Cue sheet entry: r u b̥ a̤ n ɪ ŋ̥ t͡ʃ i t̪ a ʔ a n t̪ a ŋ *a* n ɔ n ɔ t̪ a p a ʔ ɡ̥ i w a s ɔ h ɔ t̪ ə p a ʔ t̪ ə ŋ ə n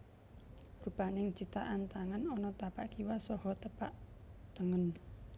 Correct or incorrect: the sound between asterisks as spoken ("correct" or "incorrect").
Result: correct